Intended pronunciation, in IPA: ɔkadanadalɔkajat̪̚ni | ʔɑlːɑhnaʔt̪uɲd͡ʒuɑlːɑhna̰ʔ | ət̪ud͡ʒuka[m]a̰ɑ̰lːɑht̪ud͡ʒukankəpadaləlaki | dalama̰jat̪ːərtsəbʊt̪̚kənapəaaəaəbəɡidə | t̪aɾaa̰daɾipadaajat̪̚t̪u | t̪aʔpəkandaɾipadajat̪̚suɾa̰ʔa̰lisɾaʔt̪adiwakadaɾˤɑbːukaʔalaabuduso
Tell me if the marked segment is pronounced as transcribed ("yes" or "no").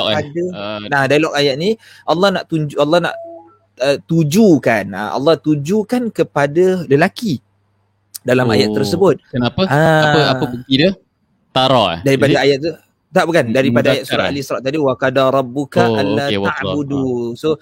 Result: no